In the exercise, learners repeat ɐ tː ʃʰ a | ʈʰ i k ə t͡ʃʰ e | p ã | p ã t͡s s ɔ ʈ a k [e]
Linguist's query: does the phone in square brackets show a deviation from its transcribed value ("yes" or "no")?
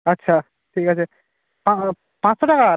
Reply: yes